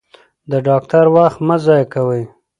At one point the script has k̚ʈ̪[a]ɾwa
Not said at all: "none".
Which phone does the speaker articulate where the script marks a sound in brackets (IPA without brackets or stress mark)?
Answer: a